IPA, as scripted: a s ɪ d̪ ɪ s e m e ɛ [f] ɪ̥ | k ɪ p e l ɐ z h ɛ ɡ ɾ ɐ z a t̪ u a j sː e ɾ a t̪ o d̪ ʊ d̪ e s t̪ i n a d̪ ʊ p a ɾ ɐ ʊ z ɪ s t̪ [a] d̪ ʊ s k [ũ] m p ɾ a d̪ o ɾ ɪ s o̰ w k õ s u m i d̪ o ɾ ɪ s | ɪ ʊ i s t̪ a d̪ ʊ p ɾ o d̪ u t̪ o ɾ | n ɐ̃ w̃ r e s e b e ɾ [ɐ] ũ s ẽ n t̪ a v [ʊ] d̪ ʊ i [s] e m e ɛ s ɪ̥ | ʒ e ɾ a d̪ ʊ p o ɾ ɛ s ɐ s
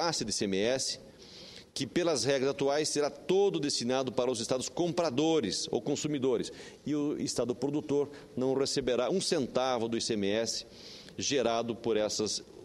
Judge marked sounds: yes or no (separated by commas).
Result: no, yes, no, no, yes, yes